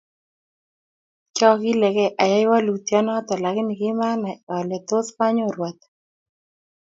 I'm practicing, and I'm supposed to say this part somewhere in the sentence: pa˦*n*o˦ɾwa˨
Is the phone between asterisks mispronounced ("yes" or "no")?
yes